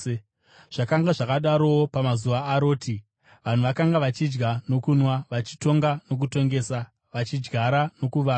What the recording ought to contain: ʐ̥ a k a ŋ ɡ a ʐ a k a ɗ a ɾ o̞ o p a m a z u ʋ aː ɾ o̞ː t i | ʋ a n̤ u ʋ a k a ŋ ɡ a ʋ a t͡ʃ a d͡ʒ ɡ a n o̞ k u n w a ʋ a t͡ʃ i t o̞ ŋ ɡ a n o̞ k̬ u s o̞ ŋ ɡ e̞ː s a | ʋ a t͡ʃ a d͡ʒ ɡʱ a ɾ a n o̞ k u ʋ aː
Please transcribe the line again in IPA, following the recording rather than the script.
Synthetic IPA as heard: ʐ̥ a k a ŋ ɡ a ʐ a k a ɗ a ɾ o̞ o p a m a z u ʋ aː ɾ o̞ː t i | ʋ a n̤ u ʋ a k a ŋ ɡ a ʋ a t͡ʃ i d͡ʒ ɡ a n o̞ k u n w a ʋ a t͡ʃ i t o̞ ŋ ɡ a n o̞ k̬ u t o̞ ŋ ɡ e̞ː s a | ʋ a t͡ʃ i d͡ʒ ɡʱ a ɾ a n o̞ k u ʋ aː